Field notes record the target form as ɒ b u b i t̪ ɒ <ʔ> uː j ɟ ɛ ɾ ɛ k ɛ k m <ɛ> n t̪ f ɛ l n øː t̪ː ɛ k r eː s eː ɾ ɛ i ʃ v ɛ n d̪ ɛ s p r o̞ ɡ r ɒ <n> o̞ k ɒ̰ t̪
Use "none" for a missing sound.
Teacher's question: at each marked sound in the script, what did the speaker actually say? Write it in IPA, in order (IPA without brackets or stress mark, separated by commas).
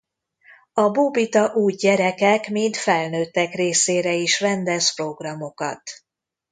ʔ, i, m